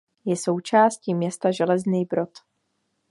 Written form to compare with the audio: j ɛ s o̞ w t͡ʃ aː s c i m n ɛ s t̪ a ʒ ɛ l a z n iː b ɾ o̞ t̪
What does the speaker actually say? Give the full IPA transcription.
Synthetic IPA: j ɛ s o̞ w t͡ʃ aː s c i m ɲ ɛ s t̪ a ʒ ɛ l ɛ z n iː b ɾ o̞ t̪